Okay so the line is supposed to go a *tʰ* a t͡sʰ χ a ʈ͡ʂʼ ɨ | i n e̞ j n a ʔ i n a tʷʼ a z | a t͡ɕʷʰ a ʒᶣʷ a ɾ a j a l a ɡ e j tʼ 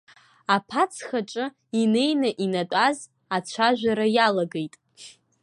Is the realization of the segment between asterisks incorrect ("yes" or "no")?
yes